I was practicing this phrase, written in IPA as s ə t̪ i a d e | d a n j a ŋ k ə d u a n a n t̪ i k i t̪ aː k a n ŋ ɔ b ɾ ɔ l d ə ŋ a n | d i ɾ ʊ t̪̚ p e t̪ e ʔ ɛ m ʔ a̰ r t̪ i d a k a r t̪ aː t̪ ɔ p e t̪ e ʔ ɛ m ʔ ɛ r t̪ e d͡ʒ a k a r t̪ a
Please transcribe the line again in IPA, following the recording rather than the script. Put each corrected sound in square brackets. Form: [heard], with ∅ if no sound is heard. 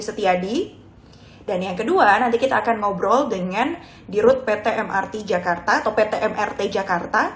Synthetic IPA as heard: s ə t̪ i a d [i] | d a n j a ŋ k ə d u a n a n t̪ i k i t̪ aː k a n ŋ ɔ b ɾ ɔ l d ə ŋ a n | d i ɾ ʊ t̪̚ p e t̪ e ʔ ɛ m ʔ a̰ r t̪ i [d͡ʒ] a k a r t̪ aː t̪ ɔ p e t̪ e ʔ ɛ m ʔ ɛ r t̪ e d͡ʒ a k a r t̪ a